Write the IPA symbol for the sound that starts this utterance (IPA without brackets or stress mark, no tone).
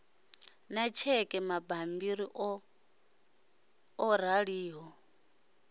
n